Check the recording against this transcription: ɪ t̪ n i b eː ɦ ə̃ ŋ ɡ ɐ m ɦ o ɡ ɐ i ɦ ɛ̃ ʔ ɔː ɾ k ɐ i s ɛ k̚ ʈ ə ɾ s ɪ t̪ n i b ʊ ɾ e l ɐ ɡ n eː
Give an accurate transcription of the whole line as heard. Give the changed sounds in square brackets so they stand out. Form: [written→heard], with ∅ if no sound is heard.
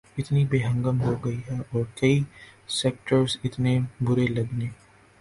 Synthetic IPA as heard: ɪ t̪ n i b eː ɦ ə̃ ŋ ɡ [ɐ→ə] m ɦ o ɡ ɐ i ɦ [ɛ̃→ɛ] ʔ ɔː ɾ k ɐ i s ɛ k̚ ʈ ə ɾ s ɪ t̪ n [i→e] b ʊ ɾ e l ɐ ɡ n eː